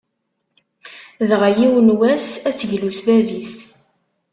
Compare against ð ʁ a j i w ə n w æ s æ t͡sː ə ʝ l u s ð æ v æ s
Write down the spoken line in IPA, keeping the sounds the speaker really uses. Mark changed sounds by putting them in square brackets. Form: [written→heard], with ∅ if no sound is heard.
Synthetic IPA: ð ʁ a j i w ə n w æ s æ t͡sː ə ʝ l u s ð æ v [æ→i] s

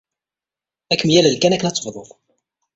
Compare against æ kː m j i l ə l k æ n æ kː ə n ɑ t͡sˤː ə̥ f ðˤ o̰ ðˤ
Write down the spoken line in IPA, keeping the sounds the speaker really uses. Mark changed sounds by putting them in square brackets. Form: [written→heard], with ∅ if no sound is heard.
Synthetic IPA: æ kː m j [i→æ] l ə l k æ n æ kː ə n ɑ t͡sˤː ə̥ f ðˤ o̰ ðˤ

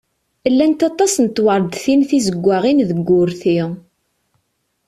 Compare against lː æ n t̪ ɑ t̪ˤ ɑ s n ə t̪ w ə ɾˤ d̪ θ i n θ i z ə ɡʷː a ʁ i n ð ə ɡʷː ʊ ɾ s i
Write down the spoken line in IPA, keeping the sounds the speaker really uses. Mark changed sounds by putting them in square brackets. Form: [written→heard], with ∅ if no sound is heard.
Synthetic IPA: lː æ n t̪ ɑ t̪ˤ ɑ s n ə t̪ w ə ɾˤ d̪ θ i n θ i z ə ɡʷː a ʁ i n ð ə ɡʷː ʊ ɾ [s→θ] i

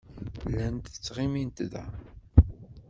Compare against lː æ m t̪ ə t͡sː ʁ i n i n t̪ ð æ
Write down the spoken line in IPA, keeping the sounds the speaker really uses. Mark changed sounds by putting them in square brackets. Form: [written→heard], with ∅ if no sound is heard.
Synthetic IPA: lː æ [m→n] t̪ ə t͡sː ʁ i [n→m] i n t̪ ð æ

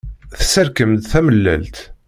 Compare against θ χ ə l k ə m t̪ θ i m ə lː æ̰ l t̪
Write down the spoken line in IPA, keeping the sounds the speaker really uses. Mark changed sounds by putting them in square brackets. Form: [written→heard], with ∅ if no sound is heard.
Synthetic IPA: θ [χ→s] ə [l→ɾ] k ə m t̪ θ [i→æ] m ə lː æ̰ l t̪

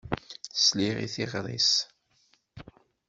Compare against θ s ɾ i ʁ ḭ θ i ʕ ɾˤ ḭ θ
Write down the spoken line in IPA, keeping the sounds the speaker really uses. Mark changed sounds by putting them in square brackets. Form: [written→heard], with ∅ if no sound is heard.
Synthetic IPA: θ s [ɾ→l] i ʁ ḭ θ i [ʕ→ʁ] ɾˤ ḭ [θ→s]

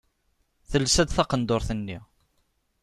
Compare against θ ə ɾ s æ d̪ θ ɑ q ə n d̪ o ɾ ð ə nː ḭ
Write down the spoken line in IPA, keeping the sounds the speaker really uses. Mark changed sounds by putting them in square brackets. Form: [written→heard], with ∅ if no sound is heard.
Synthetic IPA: θ ə [ɾ→l] s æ d̪ θ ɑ q ə n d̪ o ɾ [ð→θ] ə nː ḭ

